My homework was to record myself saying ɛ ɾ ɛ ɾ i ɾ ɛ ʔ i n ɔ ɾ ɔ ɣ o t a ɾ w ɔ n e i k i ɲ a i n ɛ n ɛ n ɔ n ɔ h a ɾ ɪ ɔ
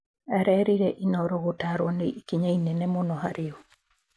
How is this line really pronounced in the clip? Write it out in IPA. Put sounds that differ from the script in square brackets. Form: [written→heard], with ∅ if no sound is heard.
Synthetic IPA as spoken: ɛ ɾ ɛ ɾ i ɾ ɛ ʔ i n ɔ ɾ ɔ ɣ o t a ɾ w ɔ n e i k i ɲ a i n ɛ n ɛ [n→m] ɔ n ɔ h a ɾ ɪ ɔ